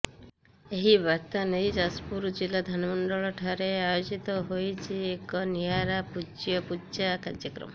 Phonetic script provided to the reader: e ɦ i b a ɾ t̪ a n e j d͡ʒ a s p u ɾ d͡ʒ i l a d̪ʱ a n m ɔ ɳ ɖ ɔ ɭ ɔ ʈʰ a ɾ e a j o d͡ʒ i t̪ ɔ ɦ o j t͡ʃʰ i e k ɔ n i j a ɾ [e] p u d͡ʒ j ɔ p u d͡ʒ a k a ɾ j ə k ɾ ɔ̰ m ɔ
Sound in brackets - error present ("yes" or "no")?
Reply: yes